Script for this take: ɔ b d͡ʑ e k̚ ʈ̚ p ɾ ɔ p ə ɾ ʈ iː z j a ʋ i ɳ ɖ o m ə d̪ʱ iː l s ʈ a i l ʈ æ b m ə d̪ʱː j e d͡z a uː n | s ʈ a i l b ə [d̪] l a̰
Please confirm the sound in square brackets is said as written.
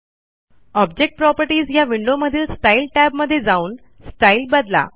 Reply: yes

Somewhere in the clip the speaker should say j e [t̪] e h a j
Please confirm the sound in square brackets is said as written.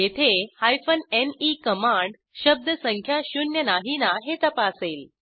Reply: no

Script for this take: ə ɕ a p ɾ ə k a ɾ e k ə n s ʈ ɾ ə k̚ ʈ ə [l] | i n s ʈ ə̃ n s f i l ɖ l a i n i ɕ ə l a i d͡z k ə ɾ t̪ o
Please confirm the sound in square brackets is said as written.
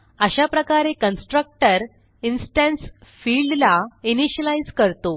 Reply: no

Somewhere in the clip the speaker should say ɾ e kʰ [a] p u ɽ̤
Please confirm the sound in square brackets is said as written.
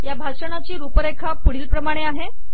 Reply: yes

